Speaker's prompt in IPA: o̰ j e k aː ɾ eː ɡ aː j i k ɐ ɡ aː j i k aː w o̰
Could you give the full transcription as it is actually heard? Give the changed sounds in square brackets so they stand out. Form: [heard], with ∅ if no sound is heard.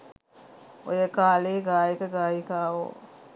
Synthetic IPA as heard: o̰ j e k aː [l] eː ɡ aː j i k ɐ ɡ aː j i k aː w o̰